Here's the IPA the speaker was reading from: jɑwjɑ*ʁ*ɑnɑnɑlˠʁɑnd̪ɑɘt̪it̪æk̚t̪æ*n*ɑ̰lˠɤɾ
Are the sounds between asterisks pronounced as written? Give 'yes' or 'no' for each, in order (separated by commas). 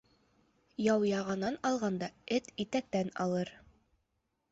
yes, yes